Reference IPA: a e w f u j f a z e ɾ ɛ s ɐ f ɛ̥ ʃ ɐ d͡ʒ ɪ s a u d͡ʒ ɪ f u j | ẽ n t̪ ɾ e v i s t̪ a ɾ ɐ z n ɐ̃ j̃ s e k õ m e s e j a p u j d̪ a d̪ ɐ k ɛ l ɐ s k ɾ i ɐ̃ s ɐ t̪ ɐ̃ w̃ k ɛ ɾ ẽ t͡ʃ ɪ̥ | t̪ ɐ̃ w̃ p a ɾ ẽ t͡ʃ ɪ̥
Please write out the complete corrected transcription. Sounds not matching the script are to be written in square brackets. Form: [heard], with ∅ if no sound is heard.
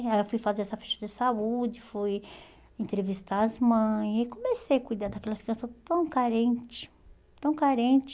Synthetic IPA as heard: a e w f u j f a z e ɾ ɛ s ɐ f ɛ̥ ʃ ɐ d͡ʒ ɪ s a u d͡ʒ ɪ f u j | ẽ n t̪ ɾ e v i s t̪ a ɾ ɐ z [m] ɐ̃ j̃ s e k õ m e s e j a [k] u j d̪ a d̪ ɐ k ɛ l ɐ s k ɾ i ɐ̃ s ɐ t̪ ɐ̃ w̃ k [a] ɾ ẽ t͡ʃ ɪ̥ | t̪ ɐ̃ w̃ [k] a ɾ ẽ t͡ʃ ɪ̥